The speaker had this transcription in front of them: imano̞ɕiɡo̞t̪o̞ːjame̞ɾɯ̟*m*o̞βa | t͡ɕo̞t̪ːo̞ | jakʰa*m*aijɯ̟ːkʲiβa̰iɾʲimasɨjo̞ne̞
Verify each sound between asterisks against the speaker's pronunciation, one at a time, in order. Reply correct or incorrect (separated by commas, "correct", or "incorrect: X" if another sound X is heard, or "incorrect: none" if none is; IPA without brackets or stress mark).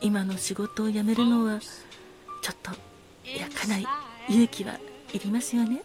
incorrect: n, incorrect: n